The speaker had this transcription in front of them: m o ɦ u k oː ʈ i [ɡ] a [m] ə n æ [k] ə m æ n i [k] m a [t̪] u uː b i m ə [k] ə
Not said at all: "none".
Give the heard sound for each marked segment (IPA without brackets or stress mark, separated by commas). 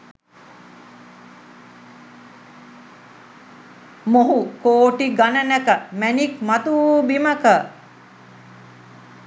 ɡ, n, k, k, t̪, k